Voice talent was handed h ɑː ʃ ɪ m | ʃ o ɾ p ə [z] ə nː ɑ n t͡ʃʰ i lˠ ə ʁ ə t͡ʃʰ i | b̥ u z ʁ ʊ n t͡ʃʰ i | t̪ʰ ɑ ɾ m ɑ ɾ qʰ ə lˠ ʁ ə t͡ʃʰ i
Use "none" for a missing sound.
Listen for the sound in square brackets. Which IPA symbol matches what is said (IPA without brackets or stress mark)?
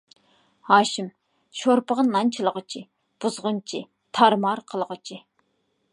ʁ